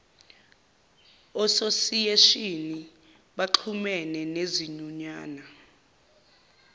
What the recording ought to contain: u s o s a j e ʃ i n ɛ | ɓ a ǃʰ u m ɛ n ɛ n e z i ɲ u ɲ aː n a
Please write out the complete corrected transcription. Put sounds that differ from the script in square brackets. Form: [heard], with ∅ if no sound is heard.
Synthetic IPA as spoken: [ɔ] s o s [i] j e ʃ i n [i] | ɓ a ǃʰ u m ɛ n ɛ n e z i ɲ u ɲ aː n a